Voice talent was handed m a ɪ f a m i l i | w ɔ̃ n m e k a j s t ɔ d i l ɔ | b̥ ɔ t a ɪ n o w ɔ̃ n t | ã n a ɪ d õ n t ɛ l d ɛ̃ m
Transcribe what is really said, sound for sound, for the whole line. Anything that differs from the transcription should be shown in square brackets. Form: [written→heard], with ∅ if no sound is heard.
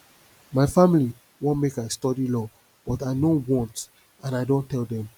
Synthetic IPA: m a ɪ f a m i l i | w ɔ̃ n m e k a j s t ɔ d i l ɔ | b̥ ɔ t a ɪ n o w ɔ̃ n t | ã n a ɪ d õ n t ɛ l d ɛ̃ m